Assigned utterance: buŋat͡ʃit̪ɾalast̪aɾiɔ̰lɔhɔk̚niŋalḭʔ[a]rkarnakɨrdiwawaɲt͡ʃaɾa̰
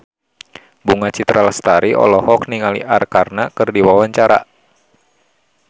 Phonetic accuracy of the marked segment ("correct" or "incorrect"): correct